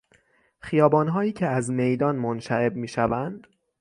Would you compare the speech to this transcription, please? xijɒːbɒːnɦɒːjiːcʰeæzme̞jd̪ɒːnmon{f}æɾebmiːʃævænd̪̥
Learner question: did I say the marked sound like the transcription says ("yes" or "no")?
no